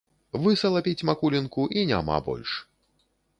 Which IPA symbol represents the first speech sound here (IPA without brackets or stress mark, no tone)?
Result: v